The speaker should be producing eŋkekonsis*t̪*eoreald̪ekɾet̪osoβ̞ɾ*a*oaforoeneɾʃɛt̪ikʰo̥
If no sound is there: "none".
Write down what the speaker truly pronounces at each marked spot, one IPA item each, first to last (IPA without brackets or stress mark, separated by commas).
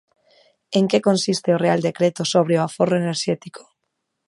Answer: t̪, e